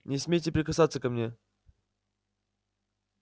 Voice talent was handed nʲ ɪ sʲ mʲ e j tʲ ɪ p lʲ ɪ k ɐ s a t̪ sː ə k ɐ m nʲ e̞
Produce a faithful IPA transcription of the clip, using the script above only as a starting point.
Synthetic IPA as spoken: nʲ ɪ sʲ mʲ e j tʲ ɪ p ɾʲ ɪ k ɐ s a t̪ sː ə k ɐ m nʲ e̞